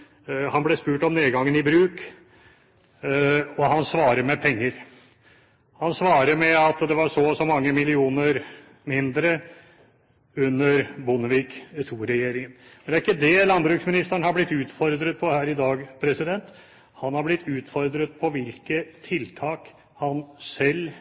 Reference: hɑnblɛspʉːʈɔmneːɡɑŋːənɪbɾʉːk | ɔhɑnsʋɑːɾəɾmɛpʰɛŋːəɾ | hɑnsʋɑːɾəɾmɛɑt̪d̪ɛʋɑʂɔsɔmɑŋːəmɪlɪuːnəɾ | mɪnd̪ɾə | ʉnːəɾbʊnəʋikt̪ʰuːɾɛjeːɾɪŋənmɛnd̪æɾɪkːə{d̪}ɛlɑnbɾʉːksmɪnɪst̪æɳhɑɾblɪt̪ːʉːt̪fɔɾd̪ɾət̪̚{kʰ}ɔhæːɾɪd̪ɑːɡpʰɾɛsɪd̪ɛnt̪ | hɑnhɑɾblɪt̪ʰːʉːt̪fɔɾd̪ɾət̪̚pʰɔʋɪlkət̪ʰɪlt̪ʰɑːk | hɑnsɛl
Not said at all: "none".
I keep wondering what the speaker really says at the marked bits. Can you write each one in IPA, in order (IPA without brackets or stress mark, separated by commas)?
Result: d̪, pʰ